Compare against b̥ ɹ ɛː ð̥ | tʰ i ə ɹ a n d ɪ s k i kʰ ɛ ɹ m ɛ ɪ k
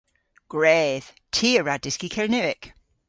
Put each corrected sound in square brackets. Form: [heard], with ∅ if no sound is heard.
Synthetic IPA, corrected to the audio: [ɡ̥] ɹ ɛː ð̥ | tʰ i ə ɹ a [∅] d ɪ s k i kʰ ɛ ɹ [n] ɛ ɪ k

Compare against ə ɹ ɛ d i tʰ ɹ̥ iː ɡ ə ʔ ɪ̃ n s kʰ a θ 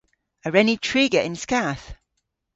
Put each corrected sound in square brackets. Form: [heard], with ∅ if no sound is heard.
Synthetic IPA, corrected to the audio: ə ɹ ɛ [n] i tʰ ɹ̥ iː ɡ ə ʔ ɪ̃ n s [k] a θ

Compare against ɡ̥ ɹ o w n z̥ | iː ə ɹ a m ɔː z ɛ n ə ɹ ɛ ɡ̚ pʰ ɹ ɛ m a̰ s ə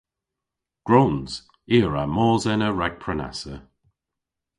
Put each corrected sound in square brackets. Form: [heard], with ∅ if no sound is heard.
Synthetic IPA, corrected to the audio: ɡ̥ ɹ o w n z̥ | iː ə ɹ a m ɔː z ɛ n ə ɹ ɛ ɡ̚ pʰ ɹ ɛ [n] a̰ s ə

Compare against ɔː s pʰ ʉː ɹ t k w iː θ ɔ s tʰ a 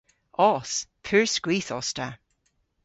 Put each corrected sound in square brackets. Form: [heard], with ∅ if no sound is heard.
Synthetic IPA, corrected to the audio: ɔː s pʰ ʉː ɹ [s] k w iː θ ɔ s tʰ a

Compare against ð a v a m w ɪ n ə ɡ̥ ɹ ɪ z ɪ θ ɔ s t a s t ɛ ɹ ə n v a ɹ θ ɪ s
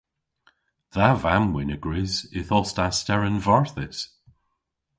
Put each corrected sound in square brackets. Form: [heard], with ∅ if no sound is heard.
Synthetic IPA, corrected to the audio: ð a v a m w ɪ n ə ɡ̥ ɹ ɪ z ɪ θ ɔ s t a s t ɛ ɹ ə n v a ɹ θ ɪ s

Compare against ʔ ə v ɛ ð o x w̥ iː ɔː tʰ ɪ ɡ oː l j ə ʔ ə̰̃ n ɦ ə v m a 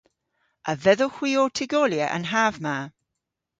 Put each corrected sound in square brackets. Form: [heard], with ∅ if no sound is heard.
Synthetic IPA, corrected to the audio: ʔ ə v ɛ ð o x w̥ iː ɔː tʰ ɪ ɡ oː l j ə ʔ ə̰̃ n ɦ [a] v m a

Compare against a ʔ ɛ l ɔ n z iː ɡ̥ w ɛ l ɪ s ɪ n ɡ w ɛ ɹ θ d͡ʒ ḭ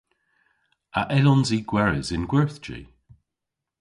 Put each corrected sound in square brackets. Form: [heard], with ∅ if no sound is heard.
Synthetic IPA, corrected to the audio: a ʔ ɛ l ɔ n z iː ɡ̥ w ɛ [ɹ] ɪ [z] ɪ n ɡ w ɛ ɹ θ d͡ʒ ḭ

